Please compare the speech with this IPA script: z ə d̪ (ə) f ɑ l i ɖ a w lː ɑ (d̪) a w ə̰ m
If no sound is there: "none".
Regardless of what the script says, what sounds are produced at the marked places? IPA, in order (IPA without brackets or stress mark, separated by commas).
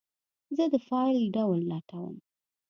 ə, t̪